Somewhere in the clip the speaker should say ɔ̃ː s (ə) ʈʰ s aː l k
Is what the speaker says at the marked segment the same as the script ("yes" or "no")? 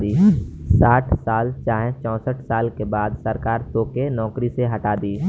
yes